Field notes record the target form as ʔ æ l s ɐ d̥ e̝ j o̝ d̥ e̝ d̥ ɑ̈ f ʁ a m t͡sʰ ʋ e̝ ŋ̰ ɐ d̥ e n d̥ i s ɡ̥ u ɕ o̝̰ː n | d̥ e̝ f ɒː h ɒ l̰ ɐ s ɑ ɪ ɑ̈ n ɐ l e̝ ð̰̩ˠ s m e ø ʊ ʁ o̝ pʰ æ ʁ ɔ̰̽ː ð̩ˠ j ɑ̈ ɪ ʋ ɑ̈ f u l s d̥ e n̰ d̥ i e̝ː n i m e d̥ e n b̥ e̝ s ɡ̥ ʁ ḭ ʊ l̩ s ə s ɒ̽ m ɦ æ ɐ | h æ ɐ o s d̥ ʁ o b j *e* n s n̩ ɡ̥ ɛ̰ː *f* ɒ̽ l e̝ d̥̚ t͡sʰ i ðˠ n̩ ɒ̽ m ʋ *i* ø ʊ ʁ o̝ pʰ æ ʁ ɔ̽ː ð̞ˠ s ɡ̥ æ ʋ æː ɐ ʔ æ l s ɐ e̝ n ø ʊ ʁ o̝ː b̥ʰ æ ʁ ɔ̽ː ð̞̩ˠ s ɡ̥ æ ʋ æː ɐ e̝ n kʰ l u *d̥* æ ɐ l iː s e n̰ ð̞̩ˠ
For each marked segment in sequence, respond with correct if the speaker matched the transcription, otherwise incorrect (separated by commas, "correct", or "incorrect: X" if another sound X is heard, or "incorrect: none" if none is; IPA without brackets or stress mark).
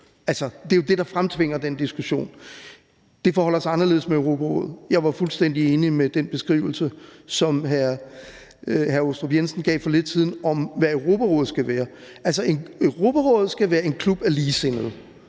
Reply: correct, correct, incorrect: æ, incorrect: b̥